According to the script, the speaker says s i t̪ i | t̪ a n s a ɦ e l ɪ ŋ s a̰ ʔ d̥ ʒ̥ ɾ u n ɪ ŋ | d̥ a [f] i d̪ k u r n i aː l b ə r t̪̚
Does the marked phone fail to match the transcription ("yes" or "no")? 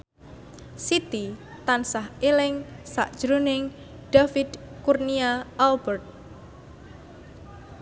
no